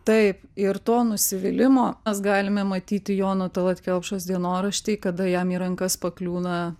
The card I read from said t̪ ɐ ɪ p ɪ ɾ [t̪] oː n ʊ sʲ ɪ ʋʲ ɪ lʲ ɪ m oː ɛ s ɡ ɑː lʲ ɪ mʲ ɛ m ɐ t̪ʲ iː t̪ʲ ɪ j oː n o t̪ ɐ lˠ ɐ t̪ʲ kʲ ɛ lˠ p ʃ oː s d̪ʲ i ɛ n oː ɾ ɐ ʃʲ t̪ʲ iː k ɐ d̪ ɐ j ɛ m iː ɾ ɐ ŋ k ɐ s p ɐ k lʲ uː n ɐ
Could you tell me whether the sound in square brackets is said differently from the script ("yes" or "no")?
no